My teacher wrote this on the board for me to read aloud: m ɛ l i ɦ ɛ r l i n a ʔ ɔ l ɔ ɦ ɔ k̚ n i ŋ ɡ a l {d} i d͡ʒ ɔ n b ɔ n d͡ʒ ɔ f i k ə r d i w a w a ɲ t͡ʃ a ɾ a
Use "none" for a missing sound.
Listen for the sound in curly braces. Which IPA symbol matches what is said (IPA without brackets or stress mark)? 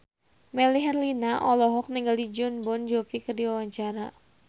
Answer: d